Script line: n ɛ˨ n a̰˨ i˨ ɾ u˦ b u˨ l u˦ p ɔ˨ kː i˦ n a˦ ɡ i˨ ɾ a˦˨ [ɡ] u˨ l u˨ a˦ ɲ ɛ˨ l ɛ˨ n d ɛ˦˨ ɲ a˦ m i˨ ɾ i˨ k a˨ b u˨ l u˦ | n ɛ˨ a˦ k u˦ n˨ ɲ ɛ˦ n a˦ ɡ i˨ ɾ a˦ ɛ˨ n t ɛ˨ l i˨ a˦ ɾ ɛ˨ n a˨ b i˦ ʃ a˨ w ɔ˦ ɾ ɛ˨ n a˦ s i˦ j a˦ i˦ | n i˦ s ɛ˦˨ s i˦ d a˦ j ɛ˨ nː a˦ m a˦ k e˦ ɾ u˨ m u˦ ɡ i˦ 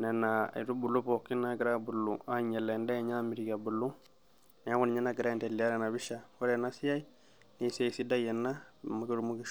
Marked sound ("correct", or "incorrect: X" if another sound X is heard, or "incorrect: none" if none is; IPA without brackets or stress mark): incorrect: b